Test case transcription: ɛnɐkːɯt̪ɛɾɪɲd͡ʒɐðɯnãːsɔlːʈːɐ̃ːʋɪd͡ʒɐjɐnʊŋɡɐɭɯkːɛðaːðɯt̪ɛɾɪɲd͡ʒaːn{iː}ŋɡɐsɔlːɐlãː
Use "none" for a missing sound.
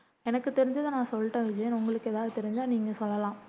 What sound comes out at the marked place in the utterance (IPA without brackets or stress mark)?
iː